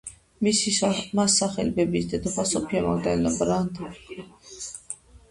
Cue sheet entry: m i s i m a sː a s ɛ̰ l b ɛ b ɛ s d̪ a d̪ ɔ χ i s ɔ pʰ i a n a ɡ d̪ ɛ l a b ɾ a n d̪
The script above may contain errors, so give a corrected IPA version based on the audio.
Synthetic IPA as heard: m i s i m a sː a χ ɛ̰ l b ɛ b i s d̪ ɛ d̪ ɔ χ a s ɔ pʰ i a m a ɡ d̪ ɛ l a b ɾ a n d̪